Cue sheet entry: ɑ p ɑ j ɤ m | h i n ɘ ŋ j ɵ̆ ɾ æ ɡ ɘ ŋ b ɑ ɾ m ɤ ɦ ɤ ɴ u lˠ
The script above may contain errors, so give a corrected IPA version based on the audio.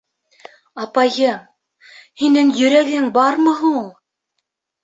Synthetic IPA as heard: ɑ p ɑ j ɤ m | h i n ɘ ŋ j ɵ̆ ɾ æ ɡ ɘ ŋ b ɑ ɾ m ɤ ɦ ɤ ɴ u lˠ